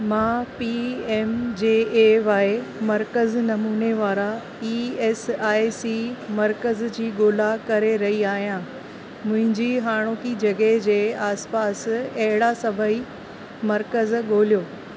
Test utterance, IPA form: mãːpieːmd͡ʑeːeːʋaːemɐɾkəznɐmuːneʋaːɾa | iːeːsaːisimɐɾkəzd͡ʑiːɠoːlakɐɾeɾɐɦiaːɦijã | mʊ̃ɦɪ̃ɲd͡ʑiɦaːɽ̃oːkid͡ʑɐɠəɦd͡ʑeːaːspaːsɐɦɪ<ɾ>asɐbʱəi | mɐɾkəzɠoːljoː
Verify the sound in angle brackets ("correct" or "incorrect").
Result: incorrect